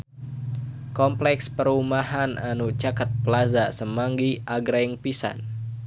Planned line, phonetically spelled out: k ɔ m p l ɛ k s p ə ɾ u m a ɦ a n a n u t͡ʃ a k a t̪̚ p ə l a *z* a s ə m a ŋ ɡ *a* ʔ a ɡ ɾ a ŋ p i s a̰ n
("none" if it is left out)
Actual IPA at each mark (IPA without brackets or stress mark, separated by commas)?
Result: z, i